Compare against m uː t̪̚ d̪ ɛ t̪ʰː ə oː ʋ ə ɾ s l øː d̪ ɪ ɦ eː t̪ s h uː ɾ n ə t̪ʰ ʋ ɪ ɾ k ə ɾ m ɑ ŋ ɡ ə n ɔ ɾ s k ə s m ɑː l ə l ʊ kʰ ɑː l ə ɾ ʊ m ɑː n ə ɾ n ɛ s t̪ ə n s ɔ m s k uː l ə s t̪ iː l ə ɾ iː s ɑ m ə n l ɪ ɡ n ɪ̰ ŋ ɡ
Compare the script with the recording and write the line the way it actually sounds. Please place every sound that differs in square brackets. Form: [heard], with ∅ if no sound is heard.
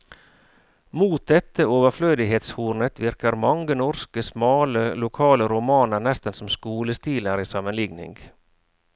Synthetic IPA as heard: m uː t̪̚ d̪ ɛ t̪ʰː ə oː ʋ ə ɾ [f] l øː d̪ ɪ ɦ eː t̪ s h uː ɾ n ə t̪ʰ ʋ ɪ ɾ k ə ɾ m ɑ ŋ ɡ ə n ɔ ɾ s k ə s m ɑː l ə l ʊ kʰ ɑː l ə ɾ ʊ m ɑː n ə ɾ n ɛ s t̪ ə n s ɔ m s k uː l ə s t̪ iː l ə ɾ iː s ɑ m ə n l ɪ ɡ n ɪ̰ ŋ ɡ